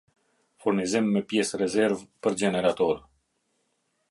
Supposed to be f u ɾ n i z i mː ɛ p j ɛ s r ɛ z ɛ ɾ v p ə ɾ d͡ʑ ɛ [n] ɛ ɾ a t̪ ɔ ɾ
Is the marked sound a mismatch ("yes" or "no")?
no